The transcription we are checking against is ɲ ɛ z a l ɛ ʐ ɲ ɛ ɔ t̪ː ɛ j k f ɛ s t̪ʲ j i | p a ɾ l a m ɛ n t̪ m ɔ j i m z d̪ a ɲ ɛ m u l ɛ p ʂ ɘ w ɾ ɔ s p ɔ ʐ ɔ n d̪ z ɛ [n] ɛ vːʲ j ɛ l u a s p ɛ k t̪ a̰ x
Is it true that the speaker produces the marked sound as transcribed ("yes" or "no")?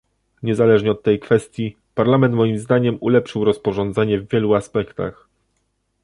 no